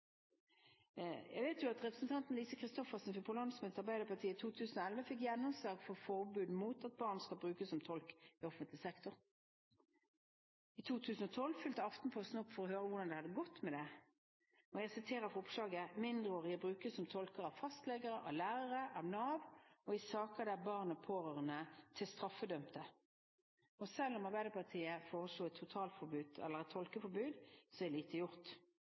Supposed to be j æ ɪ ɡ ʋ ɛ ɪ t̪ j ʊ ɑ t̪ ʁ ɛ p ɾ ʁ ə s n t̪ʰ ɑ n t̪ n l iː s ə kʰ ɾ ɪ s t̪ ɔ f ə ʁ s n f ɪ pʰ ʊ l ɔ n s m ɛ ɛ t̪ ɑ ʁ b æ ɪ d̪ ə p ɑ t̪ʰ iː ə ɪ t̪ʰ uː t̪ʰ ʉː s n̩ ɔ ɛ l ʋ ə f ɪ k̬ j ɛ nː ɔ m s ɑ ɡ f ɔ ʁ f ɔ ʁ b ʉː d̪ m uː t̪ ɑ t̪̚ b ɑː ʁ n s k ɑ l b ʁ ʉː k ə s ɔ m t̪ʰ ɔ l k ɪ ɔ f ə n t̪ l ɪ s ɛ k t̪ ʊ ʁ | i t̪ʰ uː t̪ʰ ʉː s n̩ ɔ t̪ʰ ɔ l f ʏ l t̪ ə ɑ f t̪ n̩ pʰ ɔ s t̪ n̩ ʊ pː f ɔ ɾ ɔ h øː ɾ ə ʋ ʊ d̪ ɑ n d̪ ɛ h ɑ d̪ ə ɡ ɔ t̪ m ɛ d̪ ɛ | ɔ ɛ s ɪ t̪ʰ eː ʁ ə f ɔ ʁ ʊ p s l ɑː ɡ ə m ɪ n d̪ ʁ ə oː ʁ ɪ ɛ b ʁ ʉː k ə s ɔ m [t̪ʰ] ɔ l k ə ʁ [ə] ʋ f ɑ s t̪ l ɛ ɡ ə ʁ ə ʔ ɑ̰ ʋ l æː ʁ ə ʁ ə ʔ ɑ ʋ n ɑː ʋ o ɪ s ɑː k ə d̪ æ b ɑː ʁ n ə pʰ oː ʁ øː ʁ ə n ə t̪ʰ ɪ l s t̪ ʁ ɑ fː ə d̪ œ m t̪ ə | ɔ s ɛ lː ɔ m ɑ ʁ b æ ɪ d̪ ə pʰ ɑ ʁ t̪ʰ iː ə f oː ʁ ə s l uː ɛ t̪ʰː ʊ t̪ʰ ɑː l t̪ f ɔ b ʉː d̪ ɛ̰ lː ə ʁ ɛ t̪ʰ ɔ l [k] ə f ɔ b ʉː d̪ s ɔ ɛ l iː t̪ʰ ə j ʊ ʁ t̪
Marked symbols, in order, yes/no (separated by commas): yes, no, yes